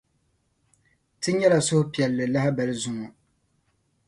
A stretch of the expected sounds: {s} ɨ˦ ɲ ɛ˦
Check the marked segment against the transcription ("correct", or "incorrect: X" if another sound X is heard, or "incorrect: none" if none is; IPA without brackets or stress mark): incorrect: t